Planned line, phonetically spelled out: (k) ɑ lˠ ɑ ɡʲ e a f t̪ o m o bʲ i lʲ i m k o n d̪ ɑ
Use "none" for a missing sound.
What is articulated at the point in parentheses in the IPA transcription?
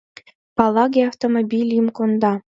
p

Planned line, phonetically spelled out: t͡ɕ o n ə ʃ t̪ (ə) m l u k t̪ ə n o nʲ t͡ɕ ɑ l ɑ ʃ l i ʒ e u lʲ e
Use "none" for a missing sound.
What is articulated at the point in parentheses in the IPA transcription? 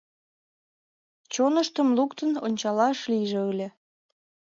ə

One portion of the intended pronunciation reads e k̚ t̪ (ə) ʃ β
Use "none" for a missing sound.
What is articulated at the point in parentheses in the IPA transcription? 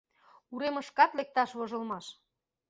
ɑ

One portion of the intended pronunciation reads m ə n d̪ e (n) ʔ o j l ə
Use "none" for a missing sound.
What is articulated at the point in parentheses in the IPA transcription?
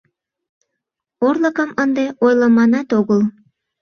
none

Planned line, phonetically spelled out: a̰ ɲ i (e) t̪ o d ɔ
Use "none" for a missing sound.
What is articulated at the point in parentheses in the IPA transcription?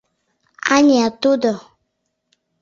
a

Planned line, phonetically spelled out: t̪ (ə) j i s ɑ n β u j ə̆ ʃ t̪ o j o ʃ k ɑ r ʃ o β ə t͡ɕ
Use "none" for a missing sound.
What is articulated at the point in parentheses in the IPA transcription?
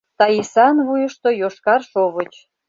ɑ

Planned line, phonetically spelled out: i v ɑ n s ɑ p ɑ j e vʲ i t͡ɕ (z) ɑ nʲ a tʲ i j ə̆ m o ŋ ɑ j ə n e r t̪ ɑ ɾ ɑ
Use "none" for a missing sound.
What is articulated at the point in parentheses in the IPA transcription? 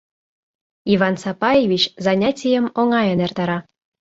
z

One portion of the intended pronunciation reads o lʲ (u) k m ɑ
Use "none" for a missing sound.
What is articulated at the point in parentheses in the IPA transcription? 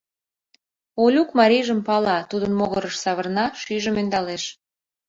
u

